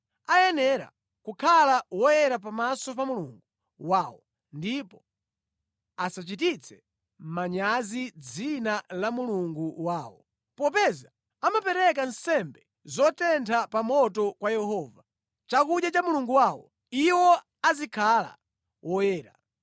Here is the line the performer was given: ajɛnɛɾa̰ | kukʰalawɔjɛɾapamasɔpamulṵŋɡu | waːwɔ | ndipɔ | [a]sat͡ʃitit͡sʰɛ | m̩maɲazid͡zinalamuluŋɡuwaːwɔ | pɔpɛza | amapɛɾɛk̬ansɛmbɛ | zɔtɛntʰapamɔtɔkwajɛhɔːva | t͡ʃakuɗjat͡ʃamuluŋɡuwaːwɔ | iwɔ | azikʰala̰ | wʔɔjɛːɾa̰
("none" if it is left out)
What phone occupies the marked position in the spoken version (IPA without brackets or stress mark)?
a